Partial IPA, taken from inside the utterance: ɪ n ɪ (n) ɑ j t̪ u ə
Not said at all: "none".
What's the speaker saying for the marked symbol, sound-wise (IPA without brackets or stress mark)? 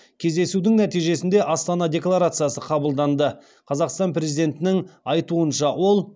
ŋ